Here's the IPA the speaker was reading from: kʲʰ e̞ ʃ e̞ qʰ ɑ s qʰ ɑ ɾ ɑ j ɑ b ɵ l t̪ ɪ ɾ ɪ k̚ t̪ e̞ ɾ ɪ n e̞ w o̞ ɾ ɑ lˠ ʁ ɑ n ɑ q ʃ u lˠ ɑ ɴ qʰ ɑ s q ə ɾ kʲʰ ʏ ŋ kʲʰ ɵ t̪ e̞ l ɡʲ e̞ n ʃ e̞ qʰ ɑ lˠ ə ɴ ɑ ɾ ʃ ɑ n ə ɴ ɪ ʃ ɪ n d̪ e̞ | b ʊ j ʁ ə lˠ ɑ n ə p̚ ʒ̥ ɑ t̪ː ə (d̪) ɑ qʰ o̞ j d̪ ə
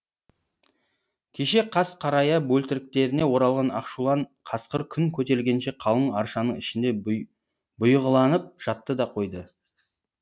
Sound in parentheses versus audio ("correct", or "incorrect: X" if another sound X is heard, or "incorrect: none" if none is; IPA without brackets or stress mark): correct